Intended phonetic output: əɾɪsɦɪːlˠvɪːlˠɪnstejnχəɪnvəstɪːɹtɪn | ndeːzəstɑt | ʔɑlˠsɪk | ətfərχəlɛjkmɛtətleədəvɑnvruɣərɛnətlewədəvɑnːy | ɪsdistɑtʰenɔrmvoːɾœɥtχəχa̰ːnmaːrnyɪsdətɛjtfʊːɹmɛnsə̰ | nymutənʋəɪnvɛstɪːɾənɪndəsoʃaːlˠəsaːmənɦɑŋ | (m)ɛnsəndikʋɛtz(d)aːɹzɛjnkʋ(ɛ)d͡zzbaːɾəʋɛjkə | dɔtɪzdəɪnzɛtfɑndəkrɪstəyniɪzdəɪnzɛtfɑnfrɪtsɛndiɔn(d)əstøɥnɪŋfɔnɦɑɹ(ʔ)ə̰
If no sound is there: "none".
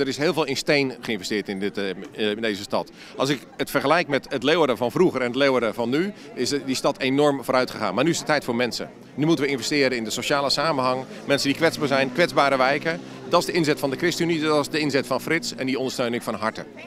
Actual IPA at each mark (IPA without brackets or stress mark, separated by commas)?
m, b, ɛ, d, t